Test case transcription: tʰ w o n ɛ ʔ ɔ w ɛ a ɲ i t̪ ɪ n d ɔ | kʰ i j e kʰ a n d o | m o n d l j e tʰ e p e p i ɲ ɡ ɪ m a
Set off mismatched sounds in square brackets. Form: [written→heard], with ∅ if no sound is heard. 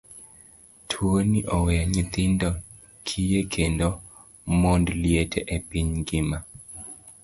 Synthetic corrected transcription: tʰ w o n [ɛ→i] ʔ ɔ w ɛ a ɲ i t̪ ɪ n d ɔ | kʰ i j e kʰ [a→e] n d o | m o n d l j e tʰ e [p→ʔ] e p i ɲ ɡ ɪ m a